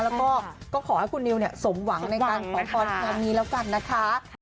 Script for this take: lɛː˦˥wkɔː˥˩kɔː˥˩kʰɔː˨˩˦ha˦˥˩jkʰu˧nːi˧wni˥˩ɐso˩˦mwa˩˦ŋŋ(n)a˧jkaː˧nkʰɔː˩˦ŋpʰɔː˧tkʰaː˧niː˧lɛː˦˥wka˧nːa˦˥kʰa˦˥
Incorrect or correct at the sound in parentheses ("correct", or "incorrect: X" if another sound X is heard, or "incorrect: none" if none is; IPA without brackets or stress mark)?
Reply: correct